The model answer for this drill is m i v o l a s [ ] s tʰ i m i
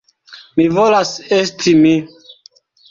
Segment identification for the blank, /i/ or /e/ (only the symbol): e